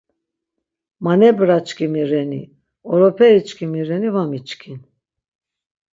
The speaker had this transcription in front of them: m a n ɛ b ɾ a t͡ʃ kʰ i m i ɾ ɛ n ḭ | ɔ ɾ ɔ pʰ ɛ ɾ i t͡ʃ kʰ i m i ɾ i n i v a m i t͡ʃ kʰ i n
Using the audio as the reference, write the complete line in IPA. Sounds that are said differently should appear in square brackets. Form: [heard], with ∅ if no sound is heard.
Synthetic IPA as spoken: m a n ɛ b ɾ a t͡ʃ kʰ i m i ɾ ɛ n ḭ | ɔ ɾ ɔ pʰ ɛ ɾ i t͡ʃ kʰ i m i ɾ [ɛ] n i v a m i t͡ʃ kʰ i n